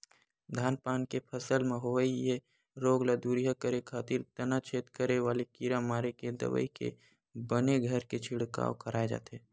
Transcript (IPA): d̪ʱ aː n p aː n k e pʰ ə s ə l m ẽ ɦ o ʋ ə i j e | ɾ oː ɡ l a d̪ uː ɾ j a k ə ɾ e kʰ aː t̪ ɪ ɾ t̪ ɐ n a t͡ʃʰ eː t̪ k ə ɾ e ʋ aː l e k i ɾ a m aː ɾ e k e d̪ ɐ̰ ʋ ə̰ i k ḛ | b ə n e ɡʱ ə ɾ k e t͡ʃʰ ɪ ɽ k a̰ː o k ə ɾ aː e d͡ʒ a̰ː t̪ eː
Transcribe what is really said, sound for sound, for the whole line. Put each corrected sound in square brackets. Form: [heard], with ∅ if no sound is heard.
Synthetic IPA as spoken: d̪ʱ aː n p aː n k e pʰ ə s ə l m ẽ ɦ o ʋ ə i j e | ɾ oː ɡ l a d̪ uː ɾ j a k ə ɾ e kʰ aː t̪ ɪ ɾ t̪ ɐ n a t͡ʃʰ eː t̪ k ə ɾ e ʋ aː l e k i ɾ a m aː ɾ e k e d̪ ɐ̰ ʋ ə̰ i k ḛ | b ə n e ɡʱ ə ɾ k e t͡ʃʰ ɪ ɽ k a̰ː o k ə ɾ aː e d͡ʒ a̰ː t̪ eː